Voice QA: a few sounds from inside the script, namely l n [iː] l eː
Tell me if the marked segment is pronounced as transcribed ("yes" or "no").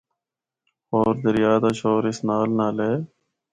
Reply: no